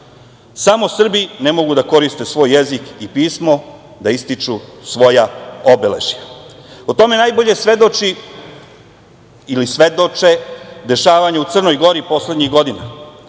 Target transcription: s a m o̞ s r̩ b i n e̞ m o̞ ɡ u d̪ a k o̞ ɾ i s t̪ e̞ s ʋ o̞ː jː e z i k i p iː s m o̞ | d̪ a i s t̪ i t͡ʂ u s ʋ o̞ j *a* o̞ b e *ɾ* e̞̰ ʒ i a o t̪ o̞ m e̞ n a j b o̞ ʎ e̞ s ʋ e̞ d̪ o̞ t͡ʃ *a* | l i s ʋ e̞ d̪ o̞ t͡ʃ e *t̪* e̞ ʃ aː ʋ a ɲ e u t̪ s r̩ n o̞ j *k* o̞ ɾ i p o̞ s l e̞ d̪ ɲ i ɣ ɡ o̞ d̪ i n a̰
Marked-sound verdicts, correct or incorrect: correct, incorrect: l, incorrect: i, incorrect: d̪, incorrect: ɡ

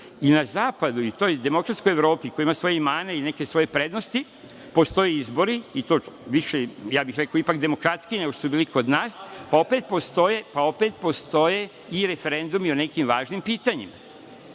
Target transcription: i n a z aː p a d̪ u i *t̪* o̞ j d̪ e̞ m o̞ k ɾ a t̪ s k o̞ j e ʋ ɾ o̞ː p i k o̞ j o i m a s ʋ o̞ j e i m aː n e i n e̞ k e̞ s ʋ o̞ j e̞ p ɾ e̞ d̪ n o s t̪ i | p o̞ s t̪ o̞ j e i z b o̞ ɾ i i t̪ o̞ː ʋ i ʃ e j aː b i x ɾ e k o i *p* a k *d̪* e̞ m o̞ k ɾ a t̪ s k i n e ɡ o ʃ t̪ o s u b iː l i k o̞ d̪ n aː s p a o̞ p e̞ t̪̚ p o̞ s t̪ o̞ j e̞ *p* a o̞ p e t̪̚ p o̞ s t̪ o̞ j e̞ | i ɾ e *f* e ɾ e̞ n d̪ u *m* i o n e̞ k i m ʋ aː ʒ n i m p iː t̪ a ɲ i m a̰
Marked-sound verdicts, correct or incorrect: correct, correct, correct, correct, correct, correct

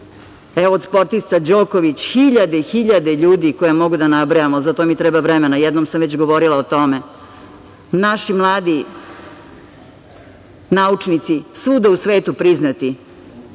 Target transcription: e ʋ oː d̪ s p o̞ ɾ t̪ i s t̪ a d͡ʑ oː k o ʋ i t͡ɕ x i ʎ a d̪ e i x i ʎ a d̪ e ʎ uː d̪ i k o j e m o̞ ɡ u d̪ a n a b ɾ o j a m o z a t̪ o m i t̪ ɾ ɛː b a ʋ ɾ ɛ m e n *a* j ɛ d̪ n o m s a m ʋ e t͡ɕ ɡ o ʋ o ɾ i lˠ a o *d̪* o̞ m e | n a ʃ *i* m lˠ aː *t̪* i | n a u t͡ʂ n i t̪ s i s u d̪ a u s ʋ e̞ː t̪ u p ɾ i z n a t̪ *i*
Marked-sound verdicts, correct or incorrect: correct, incorrect: t̪, correct, incorrect: d̪, correct

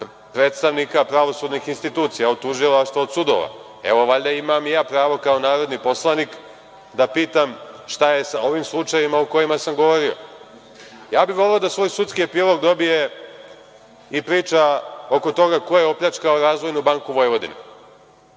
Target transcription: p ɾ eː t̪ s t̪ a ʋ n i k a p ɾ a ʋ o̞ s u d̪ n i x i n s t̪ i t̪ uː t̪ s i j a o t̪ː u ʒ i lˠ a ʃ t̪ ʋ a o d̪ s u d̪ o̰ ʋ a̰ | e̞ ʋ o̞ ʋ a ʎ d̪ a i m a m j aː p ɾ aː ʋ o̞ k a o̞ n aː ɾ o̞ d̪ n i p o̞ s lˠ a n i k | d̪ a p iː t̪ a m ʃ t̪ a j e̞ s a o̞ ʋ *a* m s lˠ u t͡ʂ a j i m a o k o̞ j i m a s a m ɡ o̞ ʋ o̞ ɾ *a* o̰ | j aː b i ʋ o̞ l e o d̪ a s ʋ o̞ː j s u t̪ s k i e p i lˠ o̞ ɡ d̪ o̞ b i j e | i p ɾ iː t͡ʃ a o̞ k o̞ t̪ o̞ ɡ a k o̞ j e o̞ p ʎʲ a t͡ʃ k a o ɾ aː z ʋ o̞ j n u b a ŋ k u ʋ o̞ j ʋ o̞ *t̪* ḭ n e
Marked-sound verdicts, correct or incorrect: incorrect: i, incorrect: i, incorrect: d̪

